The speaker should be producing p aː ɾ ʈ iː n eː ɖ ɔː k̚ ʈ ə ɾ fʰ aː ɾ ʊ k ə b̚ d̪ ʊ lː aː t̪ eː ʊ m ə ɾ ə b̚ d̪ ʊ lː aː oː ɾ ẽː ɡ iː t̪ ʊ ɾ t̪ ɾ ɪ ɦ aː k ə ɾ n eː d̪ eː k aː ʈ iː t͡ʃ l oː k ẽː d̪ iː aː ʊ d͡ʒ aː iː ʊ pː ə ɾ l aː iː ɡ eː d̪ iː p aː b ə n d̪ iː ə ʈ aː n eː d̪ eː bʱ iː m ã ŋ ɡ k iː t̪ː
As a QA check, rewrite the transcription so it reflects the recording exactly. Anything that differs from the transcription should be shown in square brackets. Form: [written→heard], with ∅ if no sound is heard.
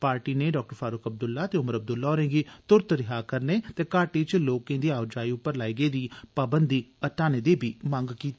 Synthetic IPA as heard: p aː ɾ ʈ iː n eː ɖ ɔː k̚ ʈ ə ɾ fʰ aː ɾ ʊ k ə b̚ d̪ ʊ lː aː t̪ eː ʊ m ə ɾ ə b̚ d̪ ʊ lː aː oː ɾ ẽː ɡ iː t̪ ʊ ɾ t̪ ɾ ɪ ɦ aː k ə ɾ n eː [d̪→t̪] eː k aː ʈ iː t͡ʃ l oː k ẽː d̪ iː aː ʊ d͡ʒ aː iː ʊ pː ə ɾ l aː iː ɡ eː d̪ iː p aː b ə n d̪ iː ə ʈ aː n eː d̪ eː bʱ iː m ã ŋ ɡ k iː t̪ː